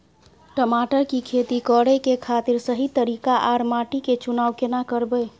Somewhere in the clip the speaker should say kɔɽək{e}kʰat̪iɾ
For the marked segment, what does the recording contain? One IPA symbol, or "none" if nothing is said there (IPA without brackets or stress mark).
e